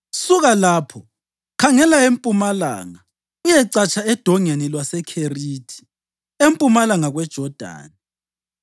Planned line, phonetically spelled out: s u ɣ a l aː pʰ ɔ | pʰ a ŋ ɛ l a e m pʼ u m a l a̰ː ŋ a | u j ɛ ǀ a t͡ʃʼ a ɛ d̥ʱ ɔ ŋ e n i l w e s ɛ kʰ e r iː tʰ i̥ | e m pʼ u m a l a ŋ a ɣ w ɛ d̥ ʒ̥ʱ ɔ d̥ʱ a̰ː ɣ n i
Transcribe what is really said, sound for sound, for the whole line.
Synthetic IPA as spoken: s u ɣ a l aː pʰ ɔ | kʰ a ŋ ɛ l a e m pʼ u m a l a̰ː ŋ a | u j ɛ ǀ a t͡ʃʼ a ɛ d̥ʱ ɔ ŋ e n i l w a s ɛ kʰ e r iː tʰ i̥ | e m pʼ u m a l a ŋ a ɣ w ɛ d̥ ʒ̥ʱ ɔ d̥ʱ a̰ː n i

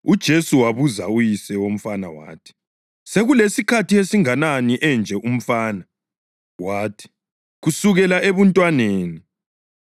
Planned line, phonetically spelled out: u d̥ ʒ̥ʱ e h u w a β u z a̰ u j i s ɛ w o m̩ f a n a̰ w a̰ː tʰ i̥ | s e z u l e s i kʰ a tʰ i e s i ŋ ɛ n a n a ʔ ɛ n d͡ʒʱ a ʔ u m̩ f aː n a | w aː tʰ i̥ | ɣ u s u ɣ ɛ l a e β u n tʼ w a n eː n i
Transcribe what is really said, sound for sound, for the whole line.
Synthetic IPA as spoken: u d̥ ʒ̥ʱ e s u w a β u z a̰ u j i s ɛ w o m̩ f a n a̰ w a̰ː tʰ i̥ | s e ɣ u l e s i kʰ a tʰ i e s i ŋ a n a n i ʔ ɛ n d͡ʒʱ ɛ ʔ u m̩ f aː n a | w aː tʰ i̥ | ɣ u s u ɣ ɛ l a e β u n tʼ w a n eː n i

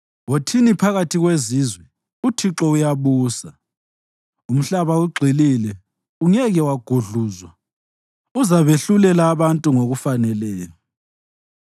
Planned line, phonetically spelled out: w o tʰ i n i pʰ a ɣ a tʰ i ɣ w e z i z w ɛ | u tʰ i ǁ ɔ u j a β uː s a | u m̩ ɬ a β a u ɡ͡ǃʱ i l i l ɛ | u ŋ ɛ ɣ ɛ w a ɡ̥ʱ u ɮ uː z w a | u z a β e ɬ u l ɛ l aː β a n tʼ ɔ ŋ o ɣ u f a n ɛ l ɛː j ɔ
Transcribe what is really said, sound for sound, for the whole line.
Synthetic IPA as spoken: w o tʰ i n i pʰ a ɣ a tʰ i ɣ w e z i z w ɛ | u tʰ i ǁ ɔ u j a β uː s a | u m̩ ɬ a β a u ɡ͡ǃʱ i l i l ɛ | u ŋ ɛ ɣ ɛ w a ɡ̥ʱ u ɮ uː z w a | u z a β e ɬ u l ɛ l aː β a n tʼ u ŋ o ɣ u f a n ɛ l ɛː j ɔ

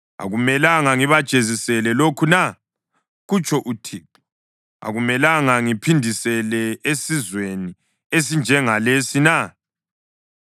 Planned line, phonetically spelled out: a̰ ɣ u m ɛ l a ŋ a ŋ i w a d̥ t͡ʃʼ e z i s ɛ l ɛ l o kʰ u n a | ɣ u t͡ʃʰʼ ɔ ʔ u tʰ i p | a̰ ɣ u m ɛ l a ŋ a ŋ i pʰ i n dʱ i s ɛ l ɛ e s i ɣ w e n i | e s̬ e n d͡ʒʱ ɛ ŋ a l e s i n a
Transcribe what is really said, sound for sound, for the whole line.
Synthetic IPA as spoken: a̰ ɣ u m ɛ l a ŋ a ŋ i β a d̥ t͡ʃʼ e z i s ɛ l ɛ l o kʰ u n a | ɣ u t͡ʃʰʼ ɔ ʔ u tʰ i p | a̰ ɣ u m ɛ l a ŋ a ŋ i pʰ i n dʱ i s ɛ l ɛ e s i z w e n i | e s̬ i n d͡ʒʱ ɛ ŋ a l e s i n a

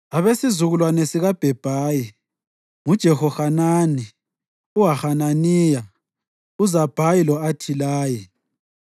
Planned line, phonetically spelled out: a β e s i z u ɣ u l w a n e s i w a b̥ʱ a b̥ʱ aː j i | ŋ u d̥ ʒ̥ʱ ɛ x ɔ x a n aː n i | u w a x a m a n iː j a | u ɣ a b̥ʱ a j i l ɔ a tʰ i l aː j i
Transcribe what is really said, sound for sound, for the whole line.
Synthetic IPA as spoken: a β e s i z u ɣ u l w a n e s i ɣ a b̥ʱ ɛ b̥ʱ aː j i | ŋ u d̥ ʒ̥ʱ ɛ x ɔ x a n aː n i | u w a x a n a n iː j a | u z a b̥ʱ a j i l ɔ a tʰ i l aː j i

